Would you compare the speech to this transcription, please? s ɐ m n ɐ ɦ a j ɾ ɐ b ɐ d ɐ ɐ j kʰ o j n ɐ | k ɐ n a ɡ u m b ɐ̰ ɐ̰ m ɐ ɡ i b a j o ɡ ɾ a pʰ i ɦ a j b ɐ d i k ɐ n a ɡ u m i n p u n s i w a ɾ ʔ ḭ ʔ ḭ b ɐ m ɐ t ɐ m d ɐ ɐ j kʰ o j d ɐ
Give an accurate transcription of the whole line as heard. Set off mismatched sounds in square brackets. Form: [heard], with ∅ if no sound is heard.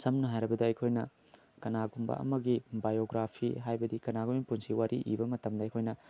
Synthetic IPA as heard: s ɐ m n ɐ ɦ a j ɾ ɐ b ɐ d ɐ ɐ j kʰ o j n ɐ | k ɐ n a ɡ u m b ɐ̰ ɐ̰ m ɐ ɡ i b a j o ɡ ɾ a pʰ i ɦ a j b ɐ d i k ɐ n a ɡ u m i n p u n s i w a ɾ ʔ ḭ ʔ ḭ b ɐ m ɐ t ɐ m d ɐ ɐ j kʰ o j [n] ɐ